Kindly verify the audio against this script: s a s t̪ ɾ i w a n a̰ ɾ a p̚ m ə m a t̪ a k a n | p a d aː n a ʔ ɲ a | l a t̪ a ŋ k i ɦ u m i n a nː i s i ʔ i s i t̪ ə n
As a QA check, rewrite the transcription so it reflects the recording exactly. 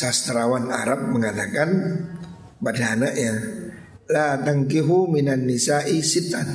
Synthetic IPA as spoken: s a s t̪ ɾ a w a n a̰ ɾ a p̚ m ə ŋ a t̪ a k a n | p a d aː n a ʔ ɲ a | l a t̪ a ŋ k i ɦ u m i n a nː i s a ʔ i s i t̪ a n